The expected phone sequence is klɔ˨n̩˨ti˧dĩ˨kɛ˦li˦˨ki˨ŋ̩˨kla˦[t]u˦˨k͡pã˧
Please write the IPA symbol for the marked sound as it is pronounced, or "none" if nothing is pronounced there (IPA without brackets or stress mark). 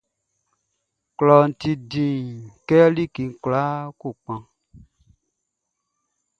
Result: k